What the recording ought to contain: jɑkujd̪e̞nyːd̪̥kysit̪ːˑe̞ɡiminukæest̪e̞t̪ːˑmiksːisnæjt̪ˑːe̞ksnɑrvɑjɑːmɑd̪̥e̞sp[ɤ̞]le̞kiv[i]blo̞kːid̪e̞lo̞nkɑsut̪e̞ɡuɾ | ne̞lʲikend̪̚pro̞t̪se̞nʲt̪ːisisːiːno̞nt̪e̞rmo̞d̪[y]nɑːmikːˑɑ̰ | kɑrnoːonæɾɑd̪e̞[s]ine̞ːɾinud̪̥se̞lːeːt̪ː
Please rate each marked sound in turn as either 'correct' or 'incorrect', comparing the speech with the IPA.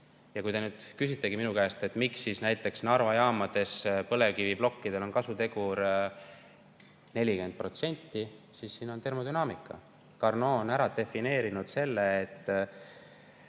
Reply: correct, correct, correct, incorrect: f

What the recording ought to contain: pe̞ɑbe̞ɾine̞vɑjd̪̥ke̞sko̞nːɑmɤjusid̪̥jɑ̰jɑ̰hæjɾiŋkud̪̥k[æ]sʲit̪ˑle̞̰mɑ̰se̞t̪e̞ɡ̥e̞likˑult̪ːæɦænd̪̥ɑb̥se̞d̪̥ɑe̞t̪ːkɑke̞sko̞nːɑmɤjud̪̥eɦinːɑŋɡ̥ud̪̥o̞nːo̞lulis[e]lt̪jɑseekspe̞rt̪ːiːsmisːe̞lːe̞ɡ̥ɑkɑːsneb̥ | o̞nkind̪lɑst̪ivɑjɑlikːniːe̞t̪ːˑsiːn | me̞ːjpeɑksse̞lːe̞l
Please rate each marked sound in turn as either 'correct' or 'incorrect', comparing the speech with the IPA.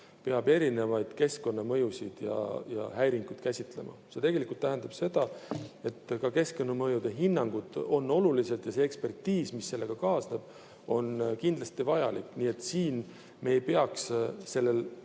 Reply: correct, correct

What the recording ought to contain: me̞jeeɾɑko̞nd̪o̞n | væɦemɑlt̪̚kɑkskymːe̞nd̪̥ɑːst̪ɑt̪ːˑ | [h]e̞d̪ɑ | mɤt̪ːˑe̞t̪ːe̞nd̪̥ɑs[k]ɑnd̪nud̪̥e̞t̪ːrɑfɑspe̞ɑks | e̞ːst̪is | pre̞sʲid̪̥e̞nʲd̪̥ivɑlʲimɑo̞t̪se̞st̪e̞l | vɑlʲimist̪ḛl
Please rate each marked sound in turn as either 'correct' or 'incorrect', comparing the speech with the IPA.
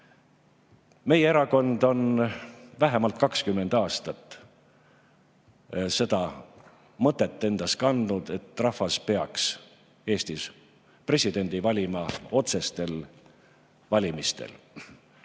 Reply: incorrect: s, correct

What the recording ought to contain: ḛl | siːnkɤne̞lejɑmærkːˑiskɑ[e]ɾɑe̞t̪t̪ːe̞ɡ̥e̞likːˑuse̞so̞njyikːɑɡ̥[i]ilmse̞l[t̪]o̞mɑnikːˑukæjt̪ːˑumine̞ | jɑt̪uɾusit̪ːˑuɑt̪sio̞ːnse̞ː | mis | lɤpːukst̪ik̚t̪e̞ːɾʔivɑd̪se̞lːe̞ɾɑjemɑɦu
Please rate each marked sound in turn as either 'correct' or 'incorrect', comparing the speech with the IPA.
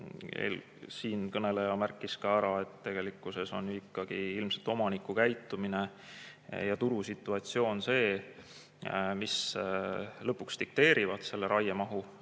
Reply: incorrect: æ, correct, correct

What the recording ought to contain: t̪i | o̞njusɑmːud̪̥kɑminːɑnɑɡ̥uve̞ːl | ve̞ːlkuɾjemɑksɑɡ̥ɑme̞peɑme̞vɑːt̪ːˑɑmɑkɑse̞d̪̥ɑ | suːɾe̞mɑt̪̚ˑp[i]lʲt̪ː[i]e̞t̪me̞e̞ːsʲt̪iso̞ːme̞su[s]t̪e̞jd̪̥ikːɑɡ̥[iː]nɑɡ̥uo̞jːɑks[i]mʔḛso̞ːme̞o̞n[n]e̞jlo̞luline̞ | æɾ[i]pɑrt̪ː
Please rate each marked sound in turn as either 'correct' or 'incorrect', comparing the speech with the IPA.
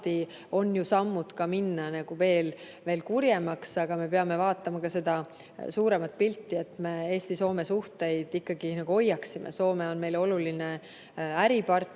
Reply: correct, correct, incorrect: h, incorrect: i, correct, incorrect: m, correct

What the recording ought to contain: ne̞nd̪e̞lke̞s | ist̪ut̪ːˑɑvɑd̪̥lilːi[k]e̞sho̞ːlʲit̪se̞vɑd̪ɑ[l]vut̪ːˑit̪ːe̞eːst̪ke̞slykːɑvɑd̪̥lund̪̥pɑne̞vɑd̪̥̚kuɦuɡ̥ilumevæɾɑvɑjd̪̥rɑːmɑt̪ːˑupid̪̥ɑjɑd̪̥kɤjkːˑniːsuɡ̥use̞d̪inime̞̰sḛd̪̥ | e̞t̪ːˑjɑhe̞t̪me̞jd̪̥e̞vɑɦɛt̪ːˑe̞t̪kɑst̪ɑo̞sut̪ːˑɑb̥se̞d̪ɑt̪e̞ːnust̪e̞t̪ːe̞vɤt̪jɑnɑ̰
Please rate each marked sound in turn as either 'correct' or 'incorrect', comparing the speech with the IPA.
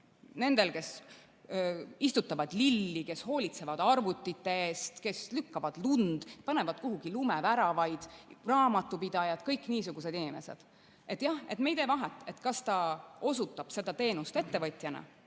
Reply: correct, incorrect: r

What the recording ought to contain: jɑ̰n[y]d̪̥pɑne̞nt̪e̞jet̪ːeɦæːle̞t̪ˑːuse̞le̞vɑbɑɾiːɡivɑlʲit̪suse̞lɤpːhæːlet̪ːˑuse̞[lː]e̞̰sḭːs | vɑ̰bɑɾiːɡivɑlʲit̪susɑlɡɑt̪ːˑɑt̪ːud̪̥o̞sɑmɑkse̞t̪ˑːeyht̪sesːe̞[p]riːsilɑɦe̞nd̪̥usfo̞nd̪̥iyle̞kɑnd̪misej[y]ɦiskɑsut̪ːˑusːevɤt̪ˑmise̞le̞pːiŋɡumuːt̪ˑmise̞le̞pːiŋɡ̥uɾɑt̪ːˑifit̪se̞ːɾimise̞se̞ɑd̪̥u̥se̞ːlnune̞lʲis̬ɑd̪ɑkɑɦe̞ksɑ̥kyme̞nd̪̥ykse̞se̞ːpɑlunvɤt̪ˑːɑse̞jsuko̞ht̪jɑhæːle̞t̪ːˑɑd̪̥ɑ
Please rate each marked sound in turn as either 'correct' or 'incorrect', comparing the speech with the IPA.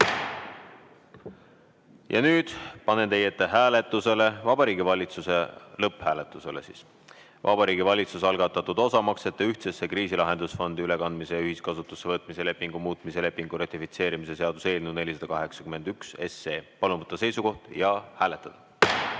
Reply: incorrect: yː, incorrect: l, incorrect: k, correct

